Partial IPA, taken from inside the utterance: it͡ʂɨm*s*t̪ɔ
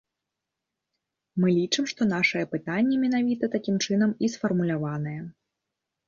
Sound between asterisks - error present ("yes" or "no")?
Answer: yes